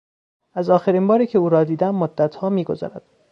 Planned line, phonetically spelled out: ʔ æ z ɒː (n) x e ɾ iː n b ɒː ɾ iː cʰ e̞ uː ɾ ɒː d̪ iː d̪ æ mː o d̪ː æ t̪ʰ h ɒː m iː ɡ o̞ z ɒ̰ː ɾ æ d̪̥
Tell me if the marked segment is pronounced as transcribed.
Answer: no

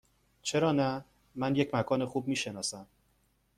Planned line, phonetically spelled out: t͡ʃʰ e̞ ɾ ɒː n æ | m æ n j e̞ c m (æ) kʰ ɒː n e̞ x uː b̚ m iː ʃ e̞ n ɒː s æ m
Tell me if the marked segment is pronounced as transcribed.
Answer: yes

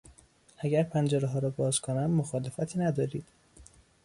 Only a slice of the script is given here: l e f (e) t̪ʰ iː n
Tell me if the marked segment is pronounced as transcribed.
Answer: no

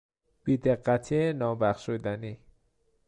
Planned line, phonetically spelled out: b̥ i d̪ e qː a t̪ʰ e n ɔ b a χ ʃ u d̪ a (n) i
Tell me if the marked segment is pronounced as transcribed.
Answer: yes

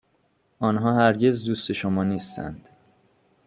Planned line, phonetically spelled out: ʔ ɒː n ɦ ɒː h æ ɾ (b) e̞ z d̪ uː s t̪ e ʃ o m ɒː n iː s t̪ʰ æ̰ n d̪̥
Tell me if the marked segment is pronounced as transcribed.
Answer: no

